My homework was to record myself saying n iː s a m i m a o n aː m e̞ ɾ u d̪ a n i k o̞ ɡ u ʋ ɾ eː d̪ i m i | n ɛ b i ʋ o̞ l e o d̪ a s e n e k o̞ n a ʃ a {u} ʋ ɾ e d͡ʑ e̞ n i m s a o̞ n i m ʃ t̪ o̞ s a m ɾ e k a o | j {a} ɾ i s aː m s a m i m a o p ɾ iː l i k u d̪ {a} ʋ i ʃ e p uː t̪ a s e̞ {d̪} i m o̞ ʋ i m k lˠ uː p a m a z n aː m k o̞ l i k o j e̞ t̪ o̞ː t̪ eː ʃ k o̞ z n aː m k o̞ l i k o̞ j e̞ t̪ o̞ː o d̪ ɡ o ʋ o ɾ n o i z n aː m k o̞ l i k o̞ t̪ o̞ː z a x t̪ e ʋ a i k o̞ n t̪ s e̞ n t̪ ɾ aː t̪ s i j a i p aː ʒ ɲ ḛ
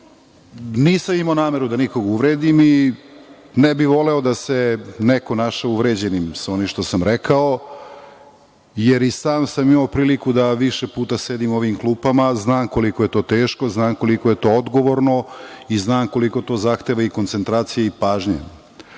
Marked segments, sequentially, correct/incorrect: correct, incorrect, correct, correct

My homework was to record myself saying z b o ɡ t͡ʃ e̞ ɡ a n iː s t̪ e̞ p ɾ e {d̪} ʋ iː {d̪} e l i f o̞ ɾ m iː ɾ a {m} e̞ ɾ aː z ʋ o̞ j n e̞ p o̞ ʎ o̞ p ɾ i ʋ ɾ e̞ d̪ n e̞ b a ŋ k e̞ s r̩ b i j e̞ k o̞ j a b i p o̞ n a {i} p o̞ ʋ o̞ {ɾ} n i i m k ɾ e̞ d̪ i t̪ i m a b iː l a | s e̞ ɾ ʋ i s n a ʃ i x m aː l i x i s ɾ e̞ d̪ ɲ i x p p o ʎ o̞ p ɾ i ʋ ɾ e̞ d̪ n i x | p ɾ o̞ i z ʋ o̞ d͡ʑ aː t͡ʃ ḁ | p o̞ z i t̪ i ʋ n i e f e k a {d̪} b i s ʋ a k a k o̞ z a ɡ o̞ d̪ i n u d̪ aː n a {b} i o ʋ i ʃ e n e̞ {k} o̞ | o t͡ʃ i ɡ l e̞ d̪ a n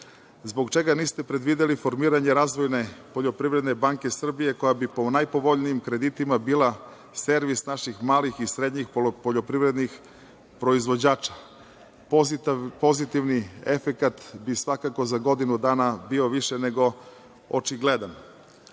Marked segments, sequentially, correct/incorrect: correct, correct, incorrect, incorrect, incorrect, incorrect, correct, incorrect

